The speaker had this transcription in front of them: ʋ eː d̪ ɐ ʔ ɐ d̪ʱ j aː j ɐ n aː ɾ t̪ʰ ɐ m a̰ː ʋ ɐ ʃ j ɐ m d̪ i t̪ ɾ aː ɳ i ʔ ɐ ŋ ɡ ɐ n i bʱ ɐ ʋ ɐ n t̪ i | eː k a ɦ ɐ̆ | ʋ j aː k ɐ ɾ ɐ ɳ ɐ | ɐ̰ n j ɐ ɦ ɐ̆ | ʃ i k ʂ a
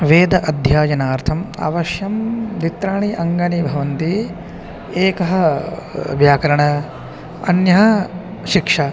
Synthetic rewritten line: ʋ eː d̪ ɐ ʔ ɐ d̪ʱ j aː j ɐ n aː ɾ t̪ʰ ɐ m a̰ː ʋ ɐ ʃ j ɐ m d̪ i t̪ ɾ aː ɳ i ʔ ɐ ŋ ɡ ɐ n i bʱ ɐ ʋ ɐ n t̪ i | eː k ɐ ɦ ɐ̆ | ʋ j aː k ɐ ɾ ɐ ɳ ɐ | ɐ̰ n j ɐ ɦ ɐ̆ | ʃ i k ʂ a